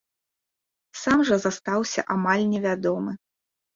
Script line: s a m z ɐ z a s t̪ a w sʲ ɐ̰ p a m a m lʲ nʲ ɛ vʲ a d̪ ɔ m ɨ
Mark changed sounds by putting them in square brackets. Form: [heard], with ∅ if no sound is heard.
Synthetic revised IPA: s a m [ʐ] ɐ z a s t̪ a w sʲ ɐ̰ [ʔ] a m a [∅] lʲ nʲ ɛ vʲ a d̪ ɔ m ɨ